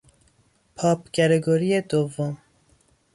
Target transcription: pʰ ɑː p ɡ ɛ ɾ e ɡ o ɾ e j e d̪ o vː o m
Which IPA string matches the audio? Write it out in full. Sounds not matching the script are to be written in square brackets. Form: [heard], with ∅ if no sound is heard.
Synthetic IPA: pʰ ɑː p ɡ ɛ ɾ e ɡ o ɾ [i] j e d̪ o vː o m